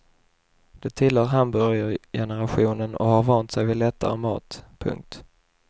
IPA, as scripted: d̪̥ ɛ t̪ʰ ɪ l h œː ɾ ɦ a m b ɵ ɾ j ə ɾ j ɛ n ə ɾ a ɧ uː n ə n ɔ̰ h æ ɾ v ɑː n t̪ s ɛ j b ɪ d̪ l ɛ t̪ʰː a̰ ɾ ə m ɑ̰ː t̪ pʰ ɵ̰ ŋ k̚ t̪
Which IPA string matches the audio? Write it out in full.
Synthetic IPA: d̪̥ ɛ t̪ʰ ɪ l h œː ɾ ɦ a m b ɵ ɾ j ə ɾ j ɛ n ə ɾ a ɧ uː n ə n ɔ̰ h a ɾ v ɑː n t̪ s ɛ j v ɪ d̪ l ɛ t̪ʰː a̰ ɾ ə m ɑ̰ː t̪ pʰ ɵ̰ ŋ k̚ t̪